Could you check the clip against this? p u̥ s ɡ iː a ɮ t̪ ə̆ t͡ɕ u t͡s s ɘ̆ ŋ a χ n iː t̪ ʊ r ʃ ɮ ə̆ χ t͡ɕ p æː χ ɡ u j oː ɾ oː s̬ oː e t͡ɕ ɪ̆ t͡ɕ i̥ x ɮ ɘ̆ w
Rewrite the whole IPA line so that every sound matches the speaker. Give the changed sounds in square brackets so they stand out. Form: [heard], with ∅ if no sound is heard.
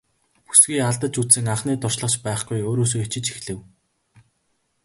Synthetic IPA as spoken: p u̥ s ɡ iː a ɮ t̪ ə̆ t͡ɕ u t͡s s ɘ̆ ŋ a χ n iː t̪ ʊ r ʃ ɮ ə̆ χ t͡ɕ p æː χ ɡ u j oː ɾ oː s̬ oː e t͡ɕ ɪ̆ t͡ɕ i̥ x ɮ ɘ̆ w